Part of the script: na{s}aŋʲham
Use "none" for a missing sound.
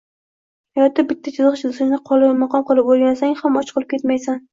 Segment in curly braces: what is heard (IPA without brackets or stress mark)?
s